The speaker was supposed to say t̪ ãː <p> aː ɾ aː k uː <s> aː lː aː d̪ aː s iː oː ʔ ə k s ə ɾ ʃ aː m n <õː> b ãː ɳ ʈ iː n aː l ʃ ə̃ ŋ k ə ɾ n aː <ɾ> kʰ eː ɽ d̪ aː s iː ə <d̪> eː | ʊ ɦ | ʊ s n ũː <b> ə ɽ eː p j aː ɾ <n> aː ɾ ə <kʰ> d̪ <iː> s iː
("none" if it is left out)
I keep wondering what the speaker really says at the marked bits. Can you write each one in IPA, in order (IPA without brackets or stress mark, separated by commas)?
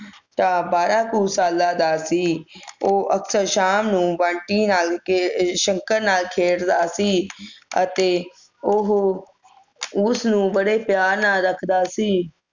b, s, ũː, l, t̪, b, n, kʰ, aː